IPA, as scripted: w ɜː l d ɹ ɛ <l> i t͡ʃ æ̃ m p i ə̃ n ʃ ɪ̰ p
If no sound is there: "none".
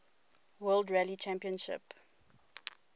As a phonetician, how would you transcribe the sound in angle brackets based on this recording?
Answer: l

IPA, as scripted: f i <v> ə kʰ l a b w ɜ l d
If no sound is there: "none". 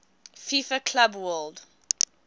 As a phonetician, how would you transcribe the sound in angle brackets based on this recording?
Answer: f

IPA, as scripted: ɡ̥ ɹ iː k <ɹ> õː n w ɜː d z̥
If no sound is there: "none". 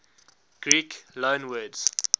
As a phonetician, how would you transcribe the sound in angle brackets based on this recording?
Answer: l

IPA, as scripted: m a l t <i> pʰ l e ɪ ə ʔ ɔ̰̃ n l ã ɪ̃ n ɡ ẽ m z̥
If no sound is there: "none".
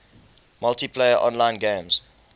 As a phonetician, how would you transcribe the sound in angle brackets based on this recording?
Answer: i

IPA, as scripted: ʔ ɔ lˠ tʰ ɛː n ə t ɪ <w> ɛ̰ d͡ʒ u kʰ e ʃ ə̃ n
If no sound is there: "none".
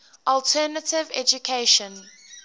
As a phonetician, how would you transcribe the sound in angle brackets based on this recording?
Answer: v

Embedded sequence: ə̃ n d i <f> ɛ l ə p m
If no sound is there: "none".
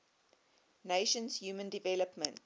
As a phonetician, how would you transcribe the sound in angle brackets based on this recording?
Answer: v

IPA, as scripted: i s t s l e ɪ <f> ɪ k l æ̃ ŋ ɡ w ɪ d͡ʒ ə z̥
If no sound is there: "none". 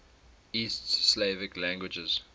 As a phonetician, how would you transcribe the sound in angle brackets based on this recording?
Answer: v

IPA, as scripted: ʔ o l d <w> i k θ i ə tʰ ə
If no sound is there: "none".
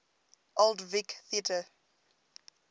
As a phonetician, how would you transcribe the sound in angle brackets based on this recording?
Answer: v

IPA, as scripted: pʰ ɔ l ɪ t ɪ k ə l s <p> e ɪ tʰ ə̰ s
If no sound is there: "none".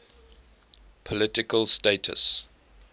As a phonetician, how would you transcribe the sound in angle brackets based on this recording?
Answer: t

